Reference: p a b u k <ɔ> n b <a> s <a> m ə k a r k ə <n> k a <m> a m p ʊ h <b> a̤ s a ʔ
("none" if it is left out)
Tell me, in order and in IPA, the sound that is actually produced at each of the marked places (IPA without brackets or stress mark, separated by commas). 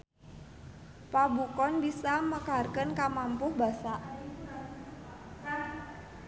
ɔ, i, a, n, m, b